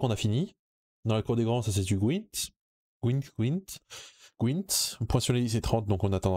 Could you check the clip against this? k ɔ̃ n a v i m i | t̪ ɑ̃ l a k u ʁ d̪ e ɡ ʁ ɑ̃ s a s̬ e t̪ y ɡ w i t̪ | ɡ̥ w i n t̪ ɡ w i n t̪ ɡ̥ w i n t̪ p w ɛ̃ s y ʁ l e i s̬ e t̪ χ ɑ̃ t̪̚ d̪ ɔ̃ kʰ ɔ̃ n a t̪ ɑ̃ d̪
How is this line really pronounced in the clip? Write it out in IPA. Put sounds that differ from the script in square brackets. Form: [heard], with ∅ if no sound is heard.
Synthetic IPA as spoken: k ɔ̃ n a [f] i [n] i | [d̪] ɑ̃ l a k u ʁ d̪ e ɡ ʁ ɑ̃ s a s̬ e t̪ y ɡ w i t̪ | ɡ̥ w i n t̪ ɡ w i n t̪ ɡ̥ w i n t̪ p w ɛ̃ s y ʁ l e i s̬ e t̪ χ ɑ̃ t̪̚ d̪ ɔ̃ [k] ɔ̃ n a t̪ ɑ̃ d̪